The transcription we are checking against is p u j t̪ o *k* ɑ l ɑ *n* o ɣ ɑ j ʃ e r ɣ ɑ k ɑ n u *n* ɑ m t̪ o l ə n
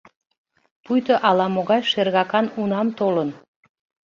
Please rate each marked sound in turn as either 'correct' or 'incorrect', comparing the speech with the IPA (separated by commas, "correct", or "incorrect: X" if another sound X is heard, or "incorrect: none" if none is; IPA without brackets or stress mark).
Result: incorrect: ʔ, incorrect: m, correct